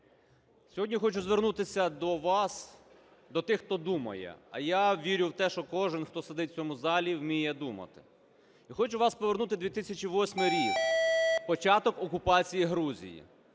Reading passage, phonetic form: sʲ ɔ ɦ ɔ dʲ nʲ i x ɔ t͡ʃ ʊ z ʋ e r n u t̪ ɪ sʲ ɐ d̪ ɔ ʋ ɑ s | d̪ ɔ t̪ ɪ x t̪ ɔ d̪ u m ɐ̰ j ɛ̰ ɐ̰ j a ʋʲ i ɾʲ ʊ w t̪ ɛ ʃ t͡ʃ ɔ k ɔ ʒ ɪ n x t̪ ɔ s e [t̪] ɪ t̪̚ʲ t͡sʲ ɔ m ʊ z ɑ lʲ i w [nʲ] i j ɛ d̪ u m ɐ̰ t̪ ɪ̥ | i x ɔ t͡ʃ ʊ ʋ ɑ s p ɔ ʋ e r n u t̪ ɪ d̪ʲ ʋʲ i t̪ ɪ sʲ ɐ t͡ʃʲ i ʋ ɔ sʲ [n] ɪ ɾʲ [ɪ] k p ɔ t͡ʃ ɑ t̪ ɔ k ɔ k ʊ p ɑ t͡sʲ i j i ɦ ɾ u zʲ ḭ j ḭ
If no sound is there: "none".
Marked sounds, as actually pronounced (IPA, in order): d̪, mʲ, m, i

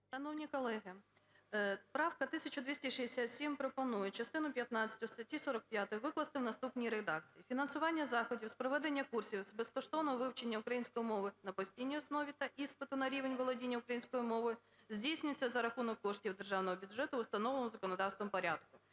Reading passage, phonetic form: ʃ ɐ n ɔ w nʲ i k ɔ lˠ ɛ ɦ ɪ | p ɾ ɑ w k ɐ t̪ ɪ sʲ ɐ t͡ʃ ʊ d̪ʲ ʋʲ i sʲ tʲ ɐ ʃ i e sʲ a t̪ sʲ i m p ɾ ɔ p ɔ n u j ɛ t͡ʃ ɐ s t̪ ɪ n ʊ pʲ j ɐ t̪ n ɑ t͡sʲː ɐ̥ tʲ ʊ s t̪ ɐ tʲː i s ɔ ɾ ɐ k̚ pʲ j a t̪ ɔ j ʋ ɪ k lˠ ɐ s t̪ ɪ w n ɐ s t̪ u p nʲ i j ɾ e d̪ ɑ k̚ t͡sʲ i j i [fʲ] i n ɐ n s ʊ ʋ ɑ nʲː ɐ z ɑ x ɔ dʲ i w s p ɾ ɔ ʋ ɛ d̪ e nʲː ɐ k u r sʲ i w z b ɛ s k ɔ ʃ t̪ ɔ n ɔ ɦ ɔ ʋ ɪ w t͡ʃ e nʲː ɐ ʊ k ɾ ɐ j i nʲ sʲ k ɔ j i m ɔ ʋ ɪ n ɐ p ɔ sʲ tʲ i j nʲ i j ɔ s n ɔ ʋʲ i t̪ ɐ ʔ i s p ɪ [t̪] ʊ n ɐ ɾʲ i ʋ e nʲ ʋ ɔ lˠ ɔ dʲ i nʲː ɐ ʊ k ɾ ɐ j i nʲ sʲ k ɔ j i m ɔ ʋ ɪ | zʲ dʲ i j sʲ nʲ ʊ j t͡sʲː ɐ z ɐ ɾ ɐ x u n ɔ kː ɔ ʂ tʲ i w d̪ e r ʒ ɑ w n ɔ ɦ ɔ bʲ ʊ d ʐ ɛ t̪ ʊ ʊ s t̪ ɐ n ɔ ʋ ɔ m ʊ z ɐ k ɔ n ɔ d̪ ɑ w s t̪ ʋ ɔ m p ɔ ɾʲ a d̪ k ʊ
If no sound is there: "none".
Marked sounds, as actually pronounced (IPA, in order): fʲ, t̪

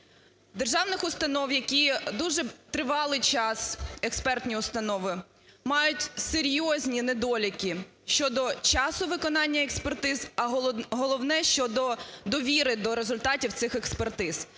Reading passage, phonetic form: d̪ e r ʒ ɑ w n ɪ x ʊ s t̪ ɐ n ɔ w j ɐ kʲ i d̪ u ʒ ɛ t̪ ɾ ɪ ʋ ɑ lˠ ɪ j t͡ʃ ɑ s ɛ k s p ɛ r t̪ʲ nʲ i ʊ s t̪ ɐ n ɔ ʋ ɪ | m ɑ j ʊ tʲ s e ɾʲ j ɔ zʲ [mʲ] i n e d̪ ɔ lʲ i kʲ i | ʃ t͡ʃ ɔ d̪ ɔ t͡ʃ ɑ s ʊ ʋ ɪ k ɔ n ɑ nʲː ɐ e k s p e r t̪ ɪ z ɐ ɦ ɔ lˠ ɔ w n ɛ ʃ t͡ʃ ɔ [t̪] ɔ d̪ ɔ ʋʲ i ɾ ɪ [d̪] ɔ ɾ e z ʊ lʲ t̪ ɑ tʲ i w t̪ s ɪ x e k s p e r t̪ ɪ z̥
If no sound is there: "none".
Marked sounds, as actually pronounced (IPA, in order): nʲ, d̪, d̪

